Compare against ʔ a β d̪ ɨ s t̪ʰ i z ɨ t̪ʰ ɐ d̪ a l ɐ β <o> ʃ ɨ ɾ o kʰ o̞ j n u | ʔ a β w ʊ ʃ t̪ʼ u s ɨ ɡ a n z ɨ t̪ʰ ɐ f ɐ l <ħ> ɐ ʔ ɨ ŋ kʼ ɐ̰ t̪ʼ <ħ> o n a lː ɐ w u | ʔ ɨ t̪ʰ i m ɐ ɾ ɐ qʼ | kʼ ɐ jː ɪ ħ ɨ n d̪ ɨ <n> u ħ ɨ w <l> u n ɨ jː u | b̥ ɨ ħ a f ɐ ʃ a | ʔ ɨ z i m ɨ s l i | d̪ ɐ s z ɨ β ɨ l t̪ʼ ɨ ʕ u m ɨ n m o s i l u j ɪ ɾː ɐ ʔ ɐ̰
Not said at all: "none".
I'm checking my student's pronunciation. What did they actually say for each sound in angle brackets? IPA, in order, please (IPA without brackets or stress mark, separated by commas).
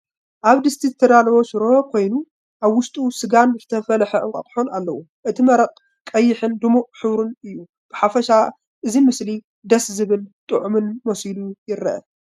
o, ħ, ħ, m, ɾ